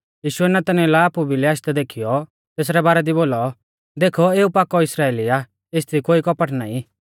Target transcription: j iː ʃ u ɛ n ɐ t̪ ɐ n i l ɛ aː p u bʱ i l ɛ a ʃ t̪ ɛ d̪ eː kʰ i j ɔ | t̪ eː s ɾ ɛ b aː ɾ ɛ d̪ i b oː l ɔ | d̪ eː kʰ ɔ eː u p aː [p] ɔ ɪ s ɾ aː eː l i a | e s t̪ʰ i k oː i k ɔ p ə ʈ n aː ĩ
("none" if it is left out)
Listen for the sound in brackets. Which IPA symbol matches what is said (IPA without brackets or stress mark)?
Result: k